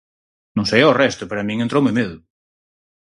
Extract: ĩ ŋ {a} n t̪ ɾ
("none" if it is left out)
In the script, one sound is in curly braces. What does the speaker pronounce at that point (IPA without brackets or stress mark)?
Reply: e